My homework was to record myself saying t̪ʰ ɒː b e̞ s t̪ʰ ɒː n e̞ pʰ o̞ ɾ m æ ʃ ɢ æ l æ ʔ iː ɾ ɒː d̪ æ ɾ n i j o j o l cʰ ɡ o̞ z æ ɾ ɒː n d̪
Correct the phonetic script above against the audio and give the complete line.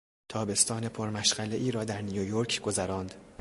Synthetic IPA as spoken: t̪ʰ ɒː b e̞ s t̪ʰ ɒː n e̞ pʰ o̞ ɾ m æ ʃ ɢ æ l e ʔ iː ɾ ɒː d̪ æ ɾ n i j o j o ɾ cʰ ɡ o̞ z æ ɾ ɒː n d̪